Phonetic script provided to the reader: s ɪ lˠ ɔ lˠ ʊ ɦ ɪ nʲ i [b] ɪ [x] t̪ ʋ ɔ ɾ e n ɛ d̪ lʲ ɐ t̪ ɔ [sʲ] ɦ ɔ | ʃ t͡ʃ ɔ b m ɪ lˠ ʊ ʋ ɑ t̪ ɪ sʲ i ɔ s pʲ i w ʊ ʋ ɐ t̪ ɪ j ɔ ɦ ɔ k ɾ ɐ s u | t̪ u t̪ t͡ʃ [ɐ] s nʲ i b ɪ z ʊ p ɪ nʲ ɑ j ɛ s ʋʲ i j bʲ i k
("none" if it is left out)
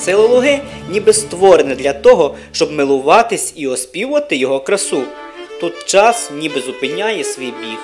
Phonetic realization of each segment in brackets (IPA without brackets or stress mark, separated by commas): b, s, none, ɑ